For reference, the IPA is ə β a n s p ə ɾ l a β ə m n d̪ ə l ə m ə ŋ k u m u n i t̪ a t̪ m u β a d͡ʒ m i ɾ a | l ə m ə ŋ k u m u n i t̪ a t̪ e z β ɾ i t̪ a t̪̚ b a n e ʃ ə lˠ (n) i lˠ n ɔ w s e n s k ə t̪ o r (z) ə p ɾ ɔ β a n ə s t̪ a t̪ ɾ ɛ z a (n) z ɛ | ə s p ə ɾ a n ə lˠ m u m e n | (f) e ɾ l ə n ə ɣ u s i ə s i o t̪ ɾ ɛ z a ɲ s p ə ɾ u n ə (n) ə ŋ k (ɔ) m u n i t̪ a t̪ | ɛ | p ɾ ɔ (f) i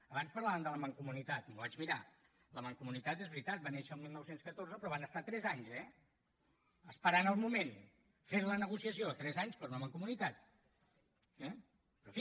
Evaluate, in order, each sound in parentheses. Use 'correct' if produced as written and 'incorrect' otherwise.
incorrect, correct, incorrect, correct, incorrect, incorrect, correct

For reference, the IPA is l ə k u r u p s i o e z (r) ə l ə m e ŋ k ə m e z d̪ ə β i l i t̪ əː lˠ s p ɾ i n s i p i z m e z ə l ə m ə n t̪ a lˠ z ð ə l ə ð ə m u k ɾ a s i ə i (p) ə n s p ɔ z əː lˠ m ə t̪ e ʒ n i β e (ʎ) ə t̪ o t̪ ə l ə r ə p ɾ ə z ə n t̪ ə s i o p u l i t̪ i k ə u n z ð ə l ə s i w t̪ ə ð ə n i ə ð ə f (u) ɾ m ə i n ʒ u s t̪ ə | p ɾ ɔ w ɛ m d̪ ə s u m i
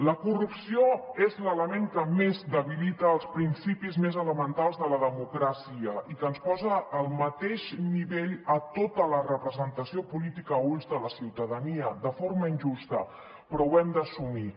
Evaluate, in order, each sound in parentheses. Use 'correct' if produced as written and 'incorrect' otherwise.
incorrect, incorrect, correct, incorrect

